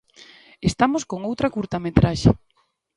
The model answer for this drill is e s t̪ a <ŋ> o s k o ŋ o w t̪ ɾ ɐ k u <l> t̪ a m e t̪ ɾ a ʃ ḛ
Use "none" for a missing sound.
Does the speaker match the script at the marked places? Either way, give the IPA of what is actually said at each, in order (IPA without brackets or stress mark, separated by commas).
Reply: m, ɾ